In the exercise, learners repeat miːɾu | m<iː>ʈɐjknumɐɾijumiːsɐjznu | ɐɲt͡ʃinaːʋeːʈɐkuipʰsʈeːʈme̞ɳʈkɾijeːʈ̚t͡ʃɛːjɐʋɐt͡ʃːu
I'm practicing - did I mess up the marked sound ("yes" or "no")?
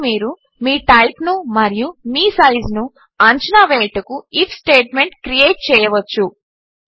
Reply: no